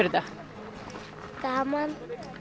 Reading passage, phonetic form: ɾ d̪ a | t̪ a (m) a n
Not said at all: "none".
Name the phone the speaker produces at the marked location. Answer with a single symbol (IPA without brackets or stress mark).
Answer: m